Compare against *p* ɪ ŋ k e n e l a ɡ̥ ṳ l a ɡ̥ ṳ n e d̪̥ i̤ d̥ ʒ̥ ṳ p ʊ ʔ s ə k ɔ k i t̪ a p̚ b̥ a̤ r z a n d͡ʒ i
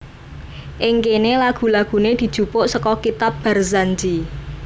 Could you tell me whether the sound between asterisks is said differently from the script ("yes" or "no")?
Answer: yes